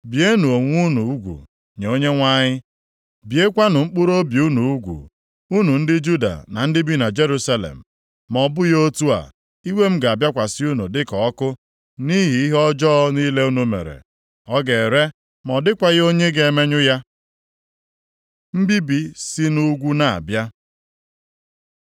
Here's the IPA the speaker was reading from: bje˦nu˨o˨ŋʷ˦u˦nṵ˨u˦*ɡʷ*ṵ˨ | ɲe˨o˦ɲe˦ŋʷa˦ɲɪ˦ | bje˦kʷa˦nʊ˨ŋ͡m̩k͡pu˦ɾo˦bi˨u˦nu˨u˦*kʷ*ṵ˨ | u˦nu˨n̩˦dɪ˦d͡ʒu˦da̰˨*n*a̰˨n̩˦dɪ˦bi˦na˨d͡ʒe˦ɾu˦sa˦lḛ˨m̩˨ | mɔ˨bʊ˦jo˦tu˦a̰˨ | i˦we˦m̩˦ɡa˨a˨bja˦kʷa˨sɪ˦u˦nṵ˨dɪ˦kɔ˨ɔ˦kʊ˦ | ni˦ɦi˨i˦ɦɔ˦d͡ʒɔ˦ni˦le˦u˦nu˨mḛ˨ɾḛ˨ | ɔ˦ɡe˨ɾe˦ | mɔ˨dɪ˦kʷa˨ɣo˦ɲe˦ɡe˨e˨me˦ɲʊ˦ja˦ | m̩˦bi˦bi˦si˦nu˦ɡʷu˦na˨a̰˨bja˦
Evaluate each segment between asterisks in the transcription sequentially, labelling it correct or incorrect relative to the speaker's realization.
correct, incorrect: ɡʷ, correct

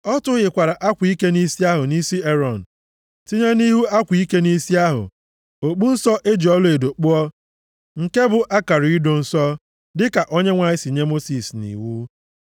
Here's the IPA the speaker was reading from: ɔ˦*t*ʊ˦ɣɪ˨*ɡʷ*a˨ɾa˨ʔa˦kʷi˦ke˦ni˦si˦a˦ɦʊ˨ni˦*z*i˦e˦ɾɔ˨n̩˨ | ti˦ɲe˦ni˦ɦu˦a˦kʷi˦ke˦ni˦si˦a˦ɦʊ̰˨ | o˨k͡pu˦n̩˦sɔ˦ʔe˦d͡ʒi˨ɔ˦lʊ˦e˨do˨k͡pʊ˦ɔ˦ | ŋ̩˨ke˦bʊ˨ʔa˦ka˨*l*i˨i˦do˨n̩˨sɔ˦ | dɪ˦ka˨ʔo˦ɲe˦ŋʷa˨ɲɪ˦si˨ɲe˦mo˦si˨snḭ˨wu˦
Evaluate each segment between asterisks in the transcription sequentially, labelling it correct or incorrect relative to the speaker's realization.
correct, incorrect: kʷ, incorrect: s, incorrect: ɾ

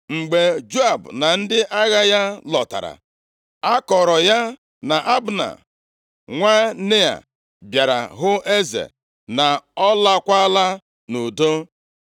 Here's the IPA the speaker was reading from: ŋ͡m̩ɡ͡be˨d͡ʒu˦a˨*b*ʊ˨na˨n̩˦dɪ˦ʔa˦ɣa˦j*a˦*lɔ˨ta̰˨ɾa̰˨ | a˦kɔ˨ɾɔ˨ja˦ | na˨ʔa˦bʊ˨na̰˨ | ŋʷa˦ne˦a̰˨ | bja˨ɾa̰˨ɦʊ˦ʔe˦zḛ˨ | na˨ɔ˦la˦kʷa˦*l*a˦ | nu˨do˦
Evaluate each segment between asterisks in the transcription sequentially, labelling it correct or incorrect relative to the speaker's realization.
correct, correct, correct

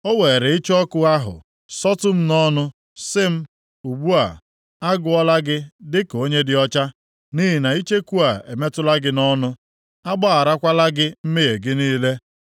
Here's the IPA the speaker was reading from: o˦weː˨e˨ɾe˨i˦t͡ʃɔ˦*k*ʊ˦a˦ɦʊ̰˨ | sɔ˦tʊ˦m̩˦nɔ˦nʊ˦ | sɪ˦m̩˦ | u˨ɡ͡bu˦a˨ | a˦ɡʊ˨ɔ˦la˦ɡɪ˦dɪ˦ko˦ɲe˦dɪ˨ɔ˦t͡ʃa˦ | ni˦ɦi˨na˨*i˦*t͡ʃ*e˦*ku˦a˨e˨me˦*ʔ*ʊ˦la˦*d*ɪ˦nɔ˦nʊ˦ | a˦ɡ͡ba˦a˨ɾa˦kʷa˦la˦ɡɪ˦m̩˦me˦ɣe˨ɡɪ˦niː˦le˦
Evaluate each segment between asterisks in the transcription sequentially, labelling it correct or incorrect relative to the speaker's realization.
correct, correct, correct, incorrect: t, incorrect: ɡ

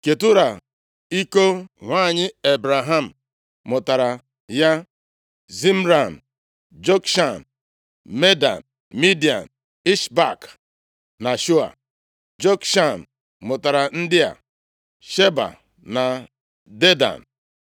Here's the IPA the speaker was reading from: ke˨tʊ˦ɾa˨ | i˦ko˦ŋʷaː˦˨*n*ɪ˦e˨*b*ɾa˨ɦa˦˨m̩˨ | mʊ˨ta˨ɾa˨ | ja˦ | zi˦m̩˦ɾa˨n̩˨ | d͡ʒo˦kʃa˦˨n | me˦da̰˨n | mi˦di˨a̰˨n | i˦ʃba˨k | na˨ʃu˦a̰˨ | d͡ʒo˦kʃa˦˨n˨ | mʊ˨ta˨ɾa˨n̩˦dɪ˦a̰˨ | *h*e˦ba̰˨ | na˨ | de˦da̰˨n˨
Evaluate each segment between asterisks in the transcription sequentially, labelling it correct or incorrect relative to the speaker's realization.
incorrect: ɲ, correct, incorrect: ʃ

